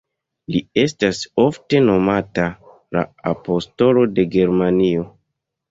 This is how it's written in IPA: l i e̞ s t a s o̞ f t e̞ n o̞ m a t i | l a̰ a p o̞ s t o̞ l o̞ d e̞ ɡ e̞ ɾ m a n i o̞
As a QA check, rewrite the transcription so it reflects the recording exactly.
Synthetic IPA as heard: l i e̞ s t a s o̞ f t e̞ n o̞ m a t a | l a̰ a p o̞ s t o̞ l o̞ d e̞ ɡ e̞ ɾ m a n i o̞